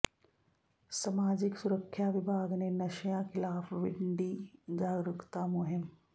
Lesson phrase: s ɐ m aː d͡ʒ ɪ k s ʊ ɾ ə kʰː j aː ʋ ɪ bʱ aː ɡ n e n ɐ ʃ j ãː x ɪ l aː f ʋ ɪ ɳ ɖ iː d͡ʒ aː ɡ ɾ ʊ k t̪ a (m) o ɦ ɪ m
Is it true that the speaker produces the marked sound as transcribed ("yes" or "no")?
yes